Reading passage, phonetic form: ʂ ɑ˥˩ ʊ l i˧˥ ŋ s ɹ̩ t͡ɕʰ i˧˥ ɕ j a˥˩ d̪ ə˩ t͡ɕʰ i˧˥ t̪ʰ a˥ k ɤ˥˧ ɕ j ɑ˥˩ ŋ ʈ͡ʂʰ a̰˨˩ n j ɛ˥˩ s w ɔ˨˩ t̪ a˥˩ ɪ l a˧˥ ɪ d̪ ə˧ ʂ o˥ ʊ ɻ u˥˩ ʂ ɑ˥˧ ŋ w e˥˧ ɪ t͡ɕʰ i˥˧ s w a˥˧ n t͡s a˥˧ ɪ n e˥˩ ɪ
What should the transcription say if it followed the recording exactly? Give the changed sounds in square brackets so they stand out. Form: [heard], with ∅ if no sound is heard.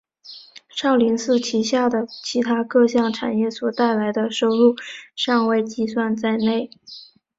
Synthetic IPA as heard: ʂ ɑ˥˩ ʊ l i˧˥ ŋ s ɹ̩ t͡ɕʰ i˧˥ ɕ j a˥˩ d̪ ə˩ t͡ɕʰ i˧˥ t̪ʰ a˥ k ɤ˥˧ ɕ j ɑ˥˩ ŋ ʈ͡ʂʰ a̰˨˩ n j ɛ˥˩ s w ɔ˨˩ t̪ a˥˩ ɪ l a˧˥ ɪ d̪ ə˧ ʂ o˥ ʊ ɻ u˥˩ ʂ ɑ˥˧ ŋ w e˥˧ ɪ [t͡ɕ] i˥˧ s w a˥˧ n t͡s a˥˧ ɪ n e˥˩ ɪ